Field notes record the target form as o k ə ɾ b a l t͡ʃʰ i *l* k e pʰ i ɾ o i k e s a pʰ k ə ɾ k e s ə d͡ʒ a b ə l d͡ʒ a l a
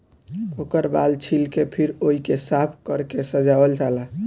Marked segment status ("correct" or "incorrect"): correct